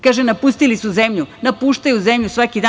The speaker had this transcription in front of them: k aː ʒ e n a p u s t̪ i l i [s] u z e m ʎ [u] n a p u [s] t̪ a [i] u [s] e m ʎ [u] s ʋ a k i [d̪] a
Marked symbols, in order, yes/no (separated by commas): yes, yes, no, no, no, yes, yes